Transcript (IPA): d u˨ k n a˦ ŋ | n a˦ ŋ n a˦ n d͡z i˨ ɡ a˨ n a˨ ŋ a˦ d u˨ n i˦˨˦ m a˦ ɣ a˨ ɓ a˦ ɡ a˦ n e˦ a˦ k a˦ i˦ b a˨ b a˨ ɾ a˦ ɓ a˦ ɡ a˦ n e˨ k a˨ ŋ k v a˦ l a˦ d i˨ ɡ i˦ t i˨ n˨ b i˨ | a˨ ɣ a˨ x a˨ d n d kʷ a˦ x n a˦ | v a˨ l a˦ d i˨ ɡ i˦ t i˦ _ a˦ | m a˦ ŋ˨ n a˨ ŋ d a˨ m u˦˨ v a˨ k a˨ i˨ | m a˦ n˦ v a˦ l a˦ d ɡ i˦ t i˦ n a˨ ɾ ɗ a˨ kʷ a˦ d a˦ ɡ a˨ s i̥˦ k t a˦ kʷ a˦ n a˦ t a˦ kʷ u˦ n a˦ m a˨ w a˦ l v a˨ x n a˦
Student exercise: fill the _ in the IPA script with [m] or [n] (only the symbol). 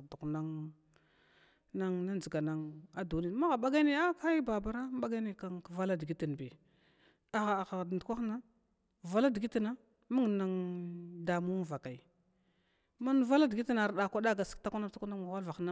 n